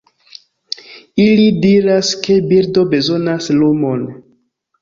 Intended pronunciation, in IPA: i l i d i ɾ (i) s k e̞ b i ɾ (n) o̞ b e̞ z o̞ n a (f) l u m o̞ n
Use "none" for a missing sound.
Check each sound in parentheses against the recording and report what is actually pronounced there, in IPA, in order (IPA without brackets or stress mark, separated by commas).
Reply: a, d, s